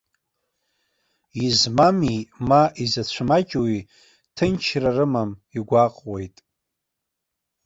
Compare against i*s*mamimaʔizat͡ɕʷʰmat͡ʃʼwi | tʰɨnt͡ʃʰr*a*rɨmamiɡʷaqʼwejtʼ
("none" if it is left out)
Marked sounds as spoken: z, a

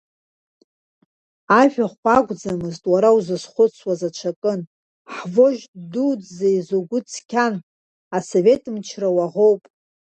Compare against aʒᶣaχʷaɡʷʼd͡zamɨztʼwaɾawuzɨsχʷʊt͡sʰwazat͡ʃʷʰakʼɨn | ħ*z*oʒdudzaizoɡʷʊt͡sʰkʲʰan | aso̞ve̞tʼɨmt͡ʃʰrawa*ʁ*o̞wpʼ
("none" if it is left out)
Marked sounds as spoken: v, ʁ

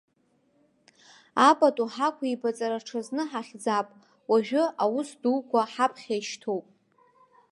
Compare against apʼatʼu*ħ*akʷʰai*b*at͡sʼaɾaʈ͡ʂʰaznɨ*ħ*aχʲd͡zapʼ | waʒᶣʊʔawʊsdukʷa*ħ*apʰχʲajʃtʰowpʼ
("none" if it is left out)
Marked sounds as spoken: ħ, b, ħ, ħ

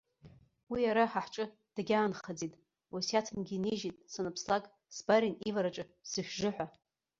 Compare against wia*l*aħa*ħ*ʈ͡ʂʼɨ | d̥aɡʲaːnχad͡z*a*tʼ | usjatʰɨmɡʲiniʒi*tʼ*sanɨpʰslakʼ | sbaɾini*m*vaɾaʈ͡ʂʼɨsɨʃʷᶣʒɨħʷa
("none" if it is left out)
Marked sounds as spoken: ɾ, ħ, i, tʼ, none

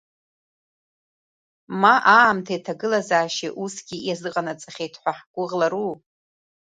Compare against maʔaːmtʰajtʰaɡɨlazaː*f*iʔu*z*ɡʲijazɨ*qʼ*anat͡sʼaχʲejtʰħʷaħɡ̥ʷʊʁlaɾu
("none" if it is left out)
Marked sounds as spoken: ʃ, s, qʼ

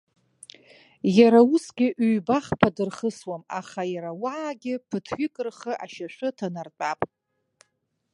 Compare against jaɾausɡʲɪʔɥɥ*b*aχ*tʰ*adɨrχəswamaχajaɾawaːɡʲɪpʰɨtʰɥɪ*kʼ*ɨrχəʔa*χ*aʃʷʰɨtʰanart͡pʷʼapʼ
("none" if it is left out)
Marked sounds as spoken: b, pʰ, kʼ, ʃ

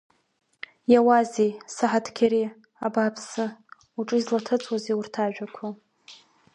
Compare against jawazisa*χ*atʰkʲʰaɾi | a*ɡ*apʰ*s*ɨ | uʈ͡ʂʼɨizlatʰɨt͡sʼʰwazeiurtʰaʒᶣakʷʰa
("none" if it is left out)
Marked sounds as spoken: ħ, b, s

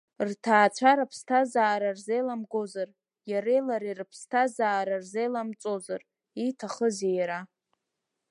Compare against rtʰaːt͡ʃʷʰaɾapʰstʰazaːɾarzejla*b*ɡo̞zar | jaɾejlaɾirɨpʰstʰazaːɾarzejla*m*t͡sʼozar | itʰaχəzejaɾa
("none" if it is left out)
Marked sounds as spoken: m, m

